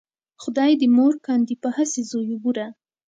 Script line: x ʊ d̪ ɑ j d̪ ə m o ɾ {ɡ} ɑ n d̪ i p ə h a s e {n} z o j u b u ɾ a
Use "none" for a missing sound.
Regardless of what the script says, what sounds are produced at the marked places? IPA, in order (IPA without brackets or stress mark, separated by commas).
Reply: k, none